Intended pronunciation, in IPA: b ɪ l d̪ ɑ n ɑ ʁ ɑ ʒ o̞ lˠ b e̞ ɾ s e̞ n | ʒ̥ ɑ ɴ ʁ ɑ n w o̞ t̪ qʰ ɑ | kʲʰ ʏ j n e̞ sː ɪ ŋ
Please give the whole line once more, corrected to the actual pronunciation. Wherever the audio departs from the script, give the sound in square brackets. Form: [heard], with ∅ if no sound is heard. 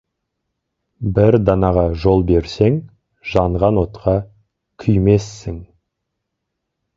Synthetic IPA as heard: b ɪ [ɾ] d̪ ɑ n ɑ ʁ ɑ ʒ o̞ lˠ b e̞ ɾ s e̞ [ŋ] | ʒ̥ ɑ ɴ ʁ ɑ n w o̞ t̪ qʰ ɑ | kʲʰ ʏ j [m] e̞ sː ɪ ŋ